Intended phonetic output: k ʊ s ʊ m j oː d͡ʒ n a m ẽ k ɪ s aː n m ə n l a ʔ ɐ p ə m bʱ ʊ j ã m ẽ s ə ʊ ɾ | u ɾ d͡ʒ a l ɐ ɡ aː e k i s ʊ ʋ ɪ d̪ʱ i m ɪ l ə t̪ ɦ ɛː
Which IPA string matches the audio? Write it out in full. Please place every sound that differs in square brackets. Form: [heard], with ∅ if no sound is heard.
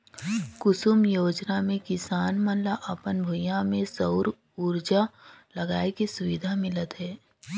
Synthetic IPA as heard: k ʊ s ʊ m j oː d͡ʒ n a m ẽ k ɪ s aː n m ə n l a ʔ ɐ p ə [n] bʱ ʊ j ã m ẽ s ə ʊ ɾ | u ɾ d͡ʒ a l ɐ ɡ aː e k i s ʊ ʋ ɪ d̪ʱ [a] m ɪ l ə t̪ ɦ ɛː